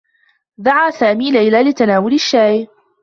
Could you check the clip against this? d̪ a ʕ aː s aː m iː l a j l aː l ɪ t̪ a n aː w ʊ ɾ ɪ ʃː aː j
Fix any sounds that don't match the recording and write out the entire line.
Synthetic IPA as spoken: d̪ a ʕ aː s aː m iː l a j l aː l ɪ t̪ a n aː w ʊ l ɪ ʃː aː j